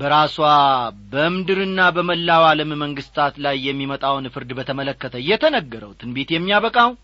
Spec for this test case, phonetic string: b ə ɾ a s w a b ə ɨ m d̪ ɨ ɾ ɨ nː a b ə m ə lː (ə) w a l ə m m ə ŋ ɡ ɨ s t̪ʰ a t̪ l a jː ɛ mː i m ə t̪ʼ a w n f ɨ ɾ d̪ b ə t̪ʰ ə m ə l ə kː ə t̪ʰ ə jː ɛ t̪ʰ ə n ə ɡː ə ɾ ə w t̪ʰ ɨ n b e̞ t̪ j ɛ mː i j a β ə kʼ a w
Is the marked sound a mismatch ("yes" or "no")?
yes